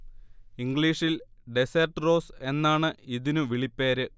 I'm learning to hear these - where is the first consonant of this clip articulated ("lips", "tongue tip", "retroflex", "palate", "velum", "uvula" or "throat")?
velum